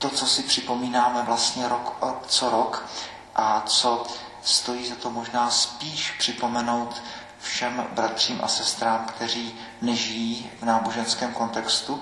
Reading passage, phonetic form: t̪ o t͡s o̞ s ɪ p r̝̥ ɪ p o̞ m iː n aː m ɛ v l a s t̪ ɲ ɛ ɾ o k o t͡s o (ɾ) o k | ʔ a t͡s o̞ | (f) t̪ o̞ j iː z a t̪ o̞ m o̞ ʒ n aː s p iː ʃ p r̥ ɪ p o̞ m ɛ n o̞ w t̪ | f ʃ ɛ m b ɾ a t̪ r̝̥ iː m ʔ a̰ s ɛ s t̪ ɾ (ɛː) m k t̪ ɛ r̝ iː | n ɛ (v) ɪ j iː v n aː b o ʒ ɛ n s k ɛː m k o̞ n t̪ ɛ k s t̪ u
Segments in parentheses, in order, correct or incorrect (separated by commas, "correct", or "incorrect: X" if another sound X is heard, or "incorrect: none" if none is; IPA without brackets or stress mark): correct, incorrect: s, incorrect: aː, incorrect: ʒ